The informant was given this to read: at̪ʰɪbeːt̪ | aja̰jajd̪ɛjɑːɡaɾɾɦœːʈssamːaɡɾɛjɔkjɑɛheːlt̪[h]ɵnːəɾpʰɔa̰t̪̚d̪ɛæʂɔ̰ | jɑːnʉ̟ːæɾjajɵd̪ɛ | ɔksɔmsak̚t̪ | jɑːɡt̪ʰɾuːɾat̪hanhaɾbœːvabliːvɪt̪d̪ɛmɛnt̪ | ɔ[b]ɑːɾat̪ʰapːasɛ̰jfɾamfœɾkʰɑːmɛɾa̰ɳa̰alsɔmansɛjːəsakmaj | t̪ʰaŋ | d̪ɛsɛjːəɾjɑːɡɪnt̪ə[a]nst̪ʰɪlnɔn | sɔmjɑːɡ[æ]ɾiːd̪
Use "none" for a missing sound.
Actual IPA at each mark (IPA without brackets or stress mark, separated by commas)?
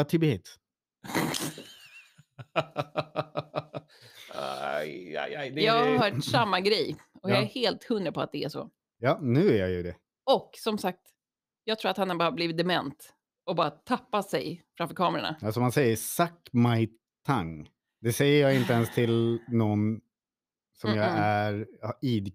h, b, ɛ, æ